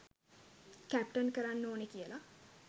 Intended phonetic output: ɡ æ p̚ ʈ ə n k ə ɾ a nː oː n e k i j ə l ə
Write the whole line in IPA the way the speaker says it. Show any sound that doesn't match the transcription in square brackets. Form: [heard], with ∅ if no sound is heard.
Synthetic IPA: [k] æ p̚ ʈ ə n k ə ɾ a nː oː n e k i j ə l [a]